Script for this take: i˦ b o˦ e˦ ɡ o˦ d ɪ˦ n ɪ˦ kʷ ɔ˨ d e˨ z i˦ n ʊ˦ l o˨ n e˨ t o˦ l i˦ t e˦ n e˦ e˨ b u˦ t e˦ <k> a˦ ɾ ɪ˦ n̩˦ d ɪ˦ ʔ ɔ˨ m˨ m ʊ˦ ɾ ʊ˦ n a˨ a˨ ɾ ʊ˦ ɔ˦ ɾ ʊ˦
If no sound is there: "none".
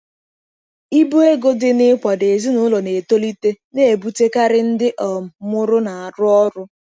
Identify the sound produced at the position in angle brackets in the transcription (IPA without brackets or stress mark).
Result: k